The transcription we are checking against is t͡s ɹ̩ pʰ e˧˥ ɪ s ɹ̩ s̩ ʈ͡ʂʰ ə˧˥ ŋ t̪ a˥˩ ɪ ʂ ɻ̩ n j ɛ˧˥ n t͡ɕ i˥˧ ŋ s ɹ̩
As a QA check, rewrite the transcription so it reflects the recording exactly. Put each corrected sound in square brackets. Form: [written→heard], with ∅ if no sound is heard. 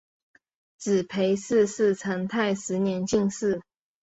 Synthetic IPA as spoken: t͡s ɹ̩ pʰ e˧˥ ɪ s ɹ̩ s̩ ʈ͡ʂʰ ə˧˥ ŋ [t̪→t̪ʰ] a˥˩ ɪ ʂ ɻ̩ n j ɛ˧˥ n t͡ɕ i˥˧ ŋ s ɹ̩